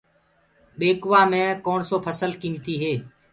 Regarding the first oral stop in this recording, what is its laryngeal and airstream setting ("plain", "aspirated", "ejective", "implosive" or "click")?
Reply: implosive